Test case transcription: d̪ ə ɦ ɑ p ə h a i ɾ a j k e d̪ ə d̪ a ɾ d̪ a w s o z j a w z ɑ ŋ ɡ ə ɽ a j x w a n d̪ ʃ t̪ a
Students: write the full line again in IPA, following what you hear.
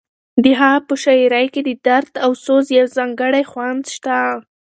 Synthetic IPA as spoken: d̪ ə ɦ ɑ p ə ʃ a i ɾ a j k e d̪ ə d̪ a ɾ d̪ a w s o z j a w z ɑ ŋ ɡ ə ɽ a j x w a n d̪ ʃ t̪ a